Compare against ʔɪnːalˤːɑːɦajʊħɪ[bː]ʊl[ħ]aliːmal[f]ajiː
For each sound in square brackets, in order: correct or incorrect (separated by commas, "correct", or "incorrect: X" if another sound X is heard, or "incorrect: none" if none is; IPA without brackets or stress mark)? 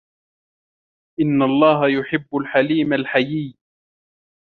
correct, correct, incorrect: ħ